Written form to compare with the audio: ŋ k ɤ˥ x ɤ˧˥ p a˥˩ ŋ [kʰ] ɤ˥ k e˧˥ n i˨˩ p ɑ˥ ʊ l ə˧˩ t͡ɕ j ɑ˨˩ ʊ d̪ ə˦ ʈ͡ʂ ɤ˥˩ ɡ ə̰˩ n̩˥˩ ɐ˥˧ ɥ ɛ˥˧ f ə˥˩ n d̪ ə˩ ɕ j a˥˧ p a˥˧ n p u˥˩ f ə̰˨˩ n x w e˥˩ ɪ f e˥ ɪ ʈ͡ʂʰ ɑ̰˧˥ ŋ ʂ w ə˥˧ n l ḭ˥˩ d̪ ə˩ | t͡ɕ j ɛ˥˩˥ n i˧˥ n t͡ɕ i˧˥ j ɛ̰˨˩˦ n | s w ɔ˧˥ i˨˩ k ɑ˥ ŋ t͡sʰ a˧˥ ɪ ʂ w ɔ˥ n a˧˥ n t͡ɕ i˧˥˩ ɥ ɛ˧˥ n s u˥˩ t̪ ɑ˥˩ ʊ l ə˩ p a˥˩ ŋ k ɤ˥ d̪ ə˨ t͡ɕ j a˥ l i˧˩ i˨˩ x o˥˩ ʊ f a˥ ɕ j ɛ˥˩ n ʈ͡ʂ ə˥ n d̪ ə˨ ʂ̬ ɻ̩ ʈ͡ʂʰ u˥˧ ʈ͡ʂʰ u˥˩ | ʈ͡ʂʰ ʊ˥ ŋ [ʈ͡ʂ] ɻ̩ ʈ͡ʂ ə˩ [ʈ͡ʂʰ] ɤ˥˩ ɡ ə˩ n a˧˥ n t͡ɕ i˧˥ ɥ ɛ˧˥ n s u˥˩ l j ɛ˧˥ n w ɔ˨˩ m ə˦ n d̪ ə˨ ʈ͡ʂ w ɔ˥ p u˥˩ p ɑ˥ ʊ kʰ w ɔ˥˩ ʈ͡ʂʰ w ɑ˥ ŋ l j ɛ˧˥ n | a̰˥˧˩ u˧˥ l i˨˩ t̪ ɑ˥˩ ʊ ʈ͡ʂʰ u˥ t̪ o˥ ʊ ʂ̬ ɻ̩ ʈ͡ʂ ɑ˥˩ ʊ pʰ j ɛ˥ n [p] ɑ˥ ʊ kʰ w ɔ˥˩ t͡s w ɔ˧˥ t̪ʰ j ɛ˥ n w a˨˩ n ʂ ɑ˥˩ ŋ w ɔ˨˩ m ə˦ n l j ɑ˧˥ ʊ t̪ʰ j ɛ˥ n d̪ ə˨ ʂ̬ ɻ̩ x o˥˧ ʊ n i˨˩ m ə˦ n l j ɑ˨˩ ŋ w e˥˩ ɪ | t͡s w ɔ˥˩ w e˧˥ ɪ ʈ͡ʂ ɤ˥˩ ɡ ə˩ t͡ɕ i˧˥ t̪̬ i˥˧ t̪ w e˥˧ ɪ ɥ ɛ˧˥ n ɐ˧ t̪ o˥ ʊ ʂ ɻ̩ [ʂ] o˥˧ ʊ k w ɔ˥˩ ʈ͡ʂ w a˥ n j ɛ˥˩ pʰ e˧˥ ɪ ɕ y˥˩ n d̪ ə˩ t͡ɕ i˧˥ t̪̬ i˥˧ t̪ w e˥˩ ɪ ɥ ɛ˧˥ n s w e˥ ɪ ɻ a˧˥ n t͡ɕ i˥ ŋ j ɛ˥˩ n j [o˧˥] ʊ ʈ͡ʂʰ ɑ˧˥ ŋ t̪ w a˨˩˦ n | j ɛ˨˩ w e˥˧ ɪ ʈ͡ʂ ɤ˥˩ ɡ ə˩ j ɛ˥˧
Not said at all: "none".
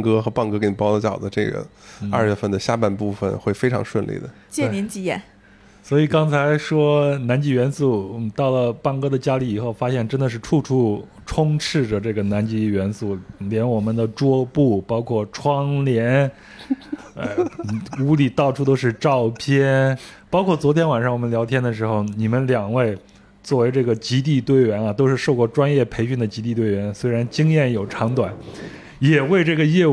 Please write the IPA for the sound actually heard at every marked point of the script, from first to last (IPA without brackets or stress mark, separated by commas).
k, ʈ͡ʂʰ, ʈ͡ʂ, p, ʂ, o˨˩